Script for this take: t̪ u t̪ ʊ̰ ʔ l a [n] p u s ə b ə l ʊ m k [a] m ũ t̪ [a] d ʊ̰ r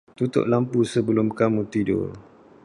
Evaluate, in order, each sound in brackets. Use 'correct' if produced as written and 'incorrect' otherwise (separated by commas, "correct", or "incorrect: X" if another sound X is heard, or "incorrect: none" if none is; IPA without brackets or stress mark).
incorrect: m, correct, incorrect: i